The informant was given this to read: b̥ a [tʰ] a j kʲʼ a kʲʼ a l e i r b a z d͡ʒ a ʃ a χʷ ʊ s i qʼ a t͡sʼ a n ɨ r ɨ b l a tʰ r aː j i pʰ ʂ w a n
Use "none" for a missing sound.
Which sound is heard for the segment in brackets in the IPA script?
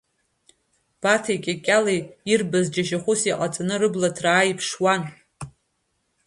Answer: tʰ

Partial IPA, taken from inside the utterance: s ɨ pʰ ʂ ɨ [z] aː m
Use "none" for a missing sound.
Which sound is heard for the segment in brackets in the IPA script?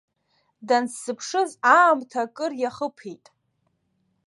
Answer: z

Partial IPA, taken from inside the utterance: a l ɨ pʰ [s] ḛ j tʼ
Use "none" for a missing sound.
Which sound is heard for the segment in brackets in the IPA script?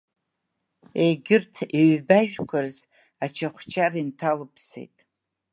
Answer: s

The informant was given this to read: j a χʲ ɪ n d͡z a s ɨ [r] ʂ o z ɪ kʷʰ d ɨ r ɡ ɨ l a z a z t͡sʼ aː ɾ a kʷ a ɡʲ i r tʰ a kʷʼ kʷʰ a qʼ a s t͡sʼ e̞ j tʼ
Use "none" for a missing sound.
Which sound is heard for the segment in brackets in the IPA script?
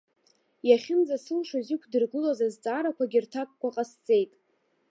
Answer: l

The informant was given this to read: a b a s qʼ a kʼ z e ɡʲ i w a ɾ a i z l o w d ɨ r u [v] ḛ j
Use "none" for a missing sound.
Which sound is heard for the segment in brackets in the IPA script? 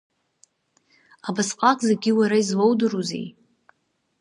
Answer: z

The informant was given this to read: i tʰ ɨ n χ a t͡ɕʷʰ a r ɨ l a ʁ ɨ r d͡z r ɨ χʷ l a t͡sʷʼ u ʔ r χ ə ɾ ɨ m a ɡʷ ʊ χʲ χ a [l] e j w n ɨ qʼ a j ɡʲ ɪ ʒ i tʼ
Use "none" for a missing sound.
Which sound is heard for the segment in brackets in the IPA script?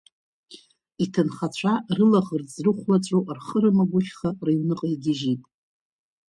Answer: r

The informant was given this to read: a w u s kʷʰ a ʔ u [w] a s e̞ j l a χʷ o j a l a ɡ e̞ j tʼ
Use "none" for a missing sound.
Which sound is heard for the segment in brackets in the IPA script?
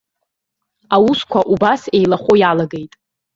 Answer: b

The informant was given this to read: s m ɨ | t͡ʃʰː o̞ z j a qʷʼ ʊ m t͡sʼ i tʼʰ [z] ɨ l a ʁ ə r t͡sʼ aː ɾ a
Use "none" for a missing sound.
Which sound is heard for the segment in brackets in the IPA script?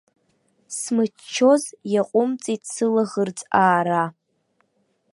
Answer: s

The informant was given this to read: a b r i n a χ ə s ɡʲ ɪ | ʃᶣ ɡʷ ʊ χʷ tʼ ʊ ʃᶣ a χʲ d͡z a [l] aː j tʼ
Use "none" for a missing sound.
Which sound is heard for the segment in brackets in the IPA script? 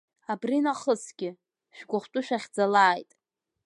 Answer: l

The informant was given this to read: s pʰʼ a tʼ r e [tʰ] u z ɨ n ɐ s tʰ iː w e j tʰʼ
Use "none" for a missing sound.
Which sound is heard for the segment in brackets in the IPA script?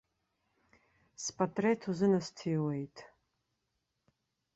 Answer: tʰ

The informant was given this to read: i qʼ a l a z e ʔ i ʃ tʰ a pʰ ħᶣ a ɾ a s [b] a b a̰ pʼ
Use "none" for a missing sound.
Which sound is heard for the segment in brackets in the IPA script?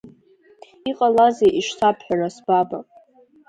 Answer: b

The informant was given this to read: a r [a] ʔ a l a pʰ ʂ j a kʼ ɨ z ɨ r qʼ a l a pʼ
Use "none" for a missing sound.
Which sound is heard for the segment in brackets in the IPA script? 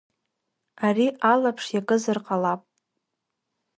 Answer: i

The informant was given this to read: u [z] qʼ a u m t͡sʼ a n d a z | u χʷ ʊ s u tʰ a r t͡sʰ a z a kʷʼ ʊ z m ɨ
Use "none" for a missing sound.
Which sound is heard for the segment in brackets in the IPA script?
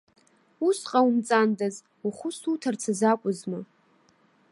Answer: s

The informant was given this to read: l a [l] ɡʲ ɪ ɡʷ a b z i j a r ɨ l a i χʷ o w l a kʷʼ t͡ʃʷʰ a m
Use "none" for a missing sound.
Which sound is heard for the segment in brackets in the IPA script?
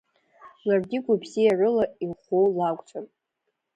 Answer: r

